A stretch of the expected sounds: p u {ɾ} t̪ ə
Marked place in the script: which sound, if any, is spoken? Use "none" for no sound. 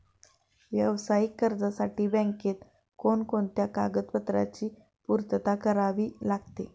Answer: ɾ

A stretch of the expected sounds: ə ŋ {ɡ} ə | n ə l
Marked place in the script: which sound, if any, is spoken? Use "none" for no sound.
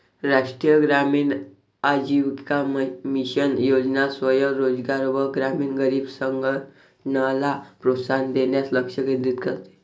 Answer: ɡ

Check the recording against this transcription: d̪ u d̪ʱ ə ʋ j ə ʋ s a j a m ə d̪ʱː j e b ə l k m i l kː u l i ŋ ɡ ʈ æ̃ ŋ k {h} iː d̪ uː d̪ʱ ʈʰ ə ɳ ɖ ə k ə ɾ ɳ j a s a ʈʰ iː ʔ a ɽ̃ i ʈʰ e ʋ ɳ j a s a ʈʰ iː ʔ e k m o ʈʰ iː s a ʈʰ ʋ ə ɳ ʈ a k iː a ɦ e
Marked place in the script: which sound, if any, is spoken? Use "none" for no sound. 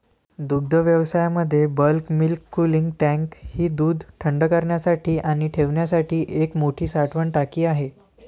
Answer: h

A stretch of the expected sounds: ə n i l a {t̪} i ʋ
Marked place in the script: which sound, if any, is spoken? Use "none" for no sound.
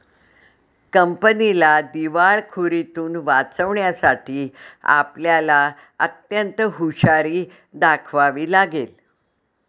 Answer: d̪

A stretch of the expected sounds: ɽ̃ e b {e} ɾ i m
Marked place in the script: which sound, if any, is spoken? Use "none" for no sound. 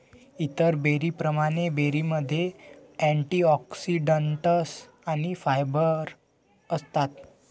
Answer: e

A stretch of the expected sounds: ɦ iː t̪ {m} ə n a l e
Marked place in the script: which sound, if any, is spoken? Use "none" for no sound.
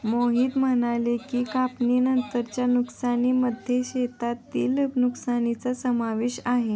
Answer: m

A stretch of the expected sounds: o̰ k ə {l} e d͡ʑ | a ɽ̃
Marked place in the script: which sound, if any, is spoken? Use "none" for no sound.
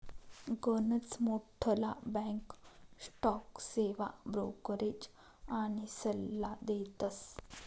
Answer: ɾ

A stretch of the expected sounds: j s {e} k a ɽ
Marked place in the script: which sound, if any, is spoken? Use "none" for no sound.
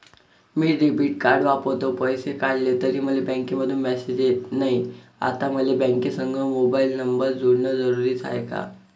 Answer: e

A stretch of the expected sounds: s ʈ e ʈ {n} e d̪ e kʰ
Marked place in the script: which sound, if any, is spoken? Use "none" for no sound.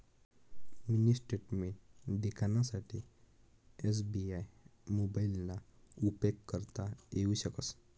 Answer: m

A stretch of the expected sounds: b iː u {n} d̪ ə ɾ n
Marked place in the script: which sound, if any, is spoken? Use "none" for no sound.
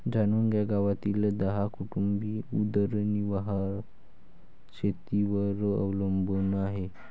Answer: none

